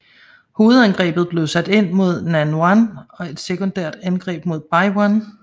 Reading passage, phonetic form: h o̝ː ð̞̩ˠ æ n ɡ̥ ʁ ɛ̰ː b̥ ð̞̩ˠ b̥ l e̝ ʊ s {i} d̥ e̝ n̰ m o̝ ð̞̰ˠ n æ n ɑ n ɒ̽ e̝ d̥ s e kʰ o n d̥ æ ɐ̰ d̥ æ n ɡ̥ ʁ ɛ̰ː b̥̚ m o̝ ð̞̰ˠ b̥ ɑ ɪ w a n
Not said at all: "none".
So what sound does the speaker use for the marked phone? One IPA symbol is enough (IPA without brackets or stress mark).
æ